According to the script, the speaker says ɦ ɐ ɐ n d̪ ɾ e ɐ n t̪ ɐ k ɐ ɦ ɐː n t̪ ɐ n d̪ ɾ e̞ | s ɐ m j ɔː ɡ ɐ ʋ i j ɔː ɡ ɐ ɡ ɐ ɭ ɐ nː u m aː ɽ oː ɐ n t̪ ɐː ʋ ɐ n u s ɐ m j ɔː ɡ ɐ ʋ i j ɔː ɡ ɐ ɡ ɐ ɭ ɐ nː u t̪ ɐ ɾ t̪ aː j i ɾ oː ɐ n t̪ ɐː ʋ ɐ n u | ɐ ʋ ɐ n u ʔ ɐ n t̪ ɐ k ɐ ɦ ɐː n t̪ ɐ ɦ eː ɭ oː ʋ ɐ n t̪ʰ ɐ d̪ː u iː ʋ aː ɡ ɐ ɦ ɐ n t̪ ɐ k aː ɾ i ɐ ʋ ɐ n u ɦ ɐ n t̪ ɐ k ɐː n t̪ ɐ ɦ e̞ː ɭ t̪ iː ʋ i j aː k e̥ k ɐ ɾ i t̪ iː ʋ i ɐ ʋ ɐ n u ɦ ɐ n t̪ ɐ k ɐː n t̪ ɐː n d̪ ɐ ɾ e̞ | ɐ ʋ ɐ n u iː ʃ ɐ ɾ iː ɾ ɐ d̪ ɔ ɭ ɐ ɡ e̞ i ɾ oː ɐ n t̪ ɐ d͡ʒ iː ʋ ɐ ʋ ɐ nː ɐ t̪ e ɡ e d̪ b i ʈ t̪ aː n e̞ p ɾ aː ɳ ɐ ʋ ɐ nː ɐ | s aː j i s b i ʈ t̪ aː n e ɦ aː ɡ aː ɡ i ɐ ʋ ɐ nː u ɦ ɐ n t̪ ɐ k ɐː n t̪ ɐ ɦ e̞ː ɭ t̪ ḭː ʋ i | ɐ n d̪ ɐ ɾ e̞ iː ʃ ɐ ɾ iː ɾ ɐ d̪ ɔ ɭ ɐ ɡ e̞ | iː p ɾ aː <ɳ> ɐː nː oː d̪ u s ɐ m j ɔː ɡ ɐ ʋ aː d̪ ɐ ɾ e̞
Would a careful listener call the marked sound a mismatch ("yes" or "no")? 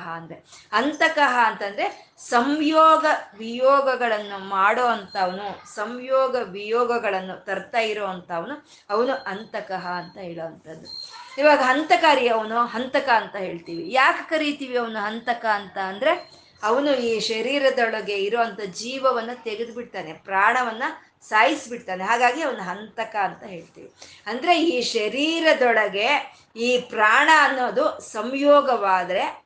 no